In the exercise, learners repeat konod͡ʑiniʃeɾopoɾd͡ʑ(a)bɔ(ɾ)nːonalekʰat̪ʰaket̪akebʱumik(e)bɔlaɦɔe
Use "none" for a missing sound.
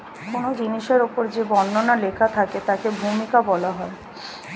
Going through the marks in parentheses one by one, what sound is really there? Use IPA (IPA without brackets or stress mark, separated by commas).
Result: e, none, a